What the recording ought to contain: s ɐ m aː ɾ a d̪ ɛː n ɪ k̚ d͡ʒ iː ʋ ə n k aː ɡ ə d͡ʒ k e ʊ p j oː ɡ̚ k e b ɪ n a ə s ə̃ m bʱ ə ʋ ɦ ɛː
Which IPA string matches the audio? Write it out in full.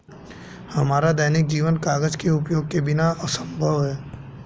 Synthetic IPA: h ɐ m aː ɾ a d̪ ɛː n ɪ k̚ d͡ʒ iː ʋ ə n k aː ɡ ə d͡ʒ k e ʊ p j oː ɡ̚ k e b ɪ n a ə s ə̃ m bʱ ə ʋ ɦ ɛː